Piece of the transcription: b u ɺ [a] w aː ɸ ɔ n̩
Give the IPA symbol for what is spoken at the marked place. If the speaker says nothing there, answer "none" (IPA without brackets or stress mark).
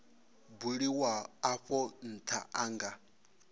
i